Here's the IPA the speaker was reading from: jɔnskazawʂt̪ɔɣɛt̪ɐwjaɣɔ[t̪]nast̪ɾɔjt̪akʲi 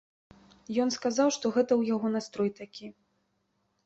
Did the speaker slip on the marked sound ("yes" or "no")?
yes